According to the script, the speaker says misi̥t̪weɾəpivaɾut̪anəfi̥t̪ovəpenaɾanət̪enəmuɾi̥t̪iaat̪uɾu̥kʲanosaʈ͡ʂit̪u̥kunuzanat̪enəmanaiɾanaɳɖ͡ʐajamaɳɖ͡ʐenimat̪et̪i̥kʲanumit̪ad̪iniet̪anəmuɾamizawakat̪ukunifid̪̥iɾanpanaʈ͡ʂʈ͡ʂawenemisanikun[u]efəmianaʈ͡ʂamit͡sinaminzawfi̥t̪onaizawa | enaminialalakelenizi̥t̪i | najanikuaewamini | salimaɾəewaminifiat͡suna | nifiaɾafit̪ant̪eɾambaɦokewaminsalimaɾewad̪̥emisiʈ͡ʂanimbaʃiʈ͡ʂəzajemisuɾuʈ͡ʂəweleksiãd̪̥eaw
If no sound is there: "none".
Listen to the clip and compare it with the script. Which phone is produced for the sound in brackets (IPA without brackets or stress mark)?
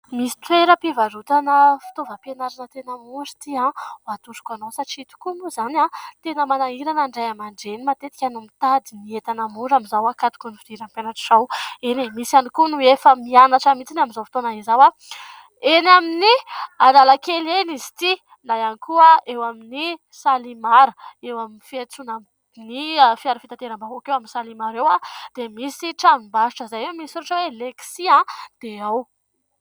u